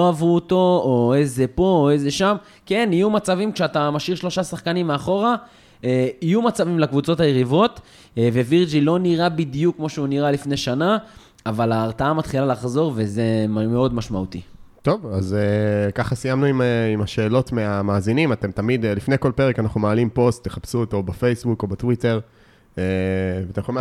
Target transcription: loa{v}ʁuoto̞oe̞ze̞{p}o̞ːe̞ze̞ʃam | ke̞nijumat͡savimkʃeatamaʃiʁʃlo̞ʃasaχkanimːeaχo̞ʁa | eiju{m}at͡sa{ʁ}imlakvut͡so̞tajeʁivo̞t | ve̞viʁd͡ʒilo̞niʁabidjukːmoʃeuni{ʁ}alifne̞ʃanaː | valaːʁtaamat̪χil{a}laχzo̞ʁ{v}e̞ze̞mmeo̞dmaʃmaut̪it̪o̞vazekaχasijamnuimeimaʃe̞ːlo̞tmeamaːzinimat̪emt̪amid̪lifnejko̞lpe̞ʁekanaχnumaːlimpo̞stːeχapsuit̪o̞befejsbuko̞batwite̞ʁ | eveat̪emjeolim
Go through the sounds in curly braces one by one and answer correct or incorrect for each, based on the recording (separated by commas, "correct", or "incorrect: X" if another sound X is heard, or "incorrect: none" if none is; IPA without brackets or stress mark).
correct, correct, correct, incorrect: v, correct, correct, correct